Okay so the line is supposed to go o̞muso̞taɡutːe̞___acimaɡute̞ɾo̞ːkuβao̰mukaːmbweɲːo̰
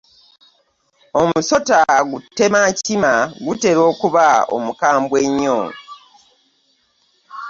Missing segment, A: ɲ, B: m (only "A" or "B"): B